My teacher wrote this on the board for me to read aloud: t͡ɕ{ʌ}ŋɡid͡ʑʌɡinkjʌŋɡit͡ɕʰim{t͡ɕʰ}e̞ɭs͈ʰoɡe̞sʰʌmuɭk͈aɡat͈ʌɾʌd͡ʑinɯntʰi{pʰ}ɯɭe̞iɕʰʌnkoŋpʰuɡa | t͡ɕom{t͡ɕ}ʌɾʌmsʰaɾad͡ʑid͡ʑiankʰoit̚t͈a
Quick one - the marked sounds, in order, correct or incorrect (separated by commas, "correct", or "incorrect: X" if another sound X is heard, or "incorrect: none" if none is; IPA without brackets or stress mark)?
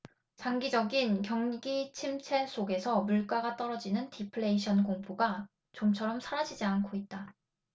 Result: incorrect: a, correct, correct, incorrect: t͡ɕʰ